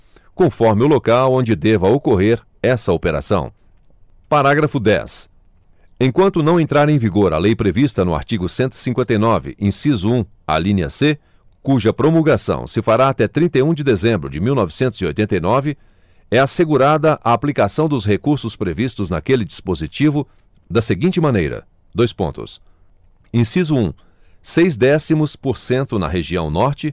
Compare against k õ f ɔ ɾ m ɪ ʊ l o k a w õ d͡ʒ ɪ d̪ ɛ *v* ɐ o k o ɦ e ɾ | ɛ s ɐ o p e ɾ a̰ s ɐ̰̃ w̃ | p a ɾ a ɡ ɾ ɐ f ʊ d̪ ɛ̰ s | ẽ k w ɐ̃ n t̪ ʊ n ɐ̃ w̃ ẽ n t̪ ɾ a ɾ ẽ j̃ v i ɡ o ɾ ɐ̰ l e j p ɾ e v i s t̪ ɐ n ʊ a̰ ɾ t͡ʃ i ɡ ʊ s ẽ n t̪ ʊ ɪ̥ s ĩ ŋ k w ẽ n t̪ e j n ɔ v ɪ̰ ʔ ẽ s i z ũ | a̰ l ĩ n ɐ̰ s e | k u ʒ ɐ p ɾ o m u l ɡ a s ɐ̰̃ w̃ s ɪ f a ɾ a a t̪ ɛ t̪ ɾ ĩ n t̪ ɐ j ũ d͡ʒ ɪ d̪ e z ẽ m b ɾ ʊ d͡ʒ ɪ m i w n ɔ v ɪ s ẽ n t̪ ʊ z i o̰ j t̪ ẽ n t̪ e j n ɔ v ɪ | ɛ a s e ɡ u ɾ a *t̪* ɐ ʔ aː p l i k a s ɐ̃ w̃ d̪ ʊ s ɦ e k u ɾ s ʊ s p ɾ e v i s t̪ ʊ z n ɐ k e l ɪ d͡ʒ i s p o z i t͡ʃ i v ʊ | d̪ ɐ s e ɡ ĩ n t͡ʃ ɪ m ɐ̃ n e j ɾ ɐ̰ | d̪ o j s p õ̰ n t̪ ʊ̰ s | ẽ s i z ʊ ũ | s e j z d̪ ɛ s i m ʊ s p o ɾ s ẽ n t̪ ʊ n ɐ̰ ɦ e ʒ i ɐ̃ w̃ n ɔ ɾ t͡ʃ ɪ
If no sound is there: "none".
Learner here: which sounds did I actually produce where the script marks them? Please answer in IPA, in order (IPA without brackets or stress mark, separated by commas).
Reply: v, d̪